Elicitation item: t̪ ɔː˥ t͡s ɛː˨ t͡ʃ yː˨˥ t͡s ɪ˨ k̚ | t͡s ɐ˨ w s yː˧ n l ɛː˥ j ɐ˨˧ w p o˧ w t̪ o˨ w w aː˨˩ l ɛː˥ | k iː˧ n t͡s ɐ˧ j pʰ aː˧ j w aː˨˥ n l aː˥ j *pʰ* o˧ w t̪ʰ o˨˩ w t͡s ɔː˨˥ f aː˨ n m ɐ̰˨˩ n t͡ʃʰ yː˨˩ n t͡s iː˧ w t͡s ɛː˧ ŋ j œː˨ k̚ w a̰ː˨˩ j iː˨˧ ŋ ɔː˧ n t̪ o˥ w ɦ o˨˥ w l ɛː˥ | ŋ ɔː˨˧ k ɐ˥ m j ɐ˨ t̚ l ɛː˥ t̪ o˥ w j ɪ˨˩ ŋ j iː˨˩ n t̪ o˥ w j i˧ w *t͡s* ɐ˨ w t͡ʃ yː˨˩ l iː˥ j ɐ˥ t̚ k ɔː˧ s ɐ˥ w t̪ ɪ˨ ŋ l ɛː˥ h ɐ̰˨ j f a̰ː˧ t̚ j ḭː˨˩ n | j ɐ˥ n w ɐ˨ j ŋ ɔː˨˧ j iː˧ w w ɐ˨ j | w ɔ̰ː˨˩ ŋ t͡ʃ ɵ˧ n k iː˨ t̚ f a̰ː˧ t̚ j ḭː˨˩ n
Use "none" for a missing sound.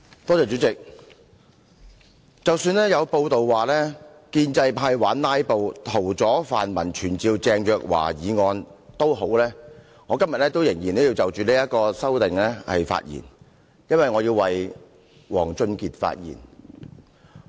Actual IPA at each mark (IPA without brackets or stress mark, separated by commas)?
p, t͡s